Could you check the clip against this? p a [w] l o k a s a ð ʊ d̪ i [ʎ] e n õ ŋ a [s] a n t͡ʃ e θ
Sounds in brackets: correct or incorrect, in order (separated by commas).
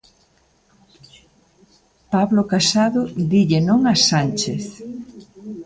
incorrect, correct, correct